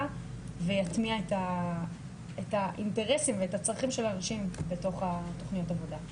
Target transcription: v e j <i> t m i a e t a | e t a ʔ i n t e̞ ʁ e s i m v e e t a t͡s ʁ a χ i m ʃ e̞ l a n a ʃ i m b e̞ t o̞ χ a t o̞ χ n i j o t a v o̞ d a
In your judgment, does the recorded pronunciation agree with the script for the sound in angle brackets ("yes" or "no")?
no